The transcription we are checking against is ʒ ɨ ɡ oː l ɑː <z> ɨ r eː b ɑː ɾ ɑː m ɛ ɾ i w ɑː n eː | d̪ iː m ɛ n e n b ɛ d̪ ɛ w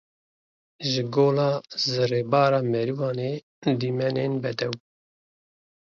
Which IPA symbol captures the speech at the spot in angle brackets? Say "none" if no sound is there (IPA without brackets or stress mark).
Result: z